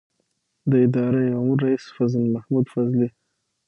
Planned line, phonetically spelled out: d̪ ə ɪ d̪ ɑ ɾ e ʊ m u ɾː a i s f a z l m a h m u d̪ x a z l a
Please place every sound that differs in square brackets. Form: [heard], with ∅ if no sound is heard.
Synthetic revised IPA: d̪ ə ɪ d̪ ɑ ɾ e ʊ m u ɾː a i s f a z l m a h m u d̪ [f] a z l [i]